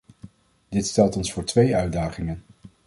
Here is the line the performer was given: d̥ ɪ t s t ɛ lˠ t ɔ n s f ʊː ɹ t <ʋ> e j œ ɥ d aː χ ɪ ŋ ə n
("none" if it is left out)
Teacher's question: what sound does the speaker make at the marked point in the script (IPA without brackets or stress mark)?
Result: ʋ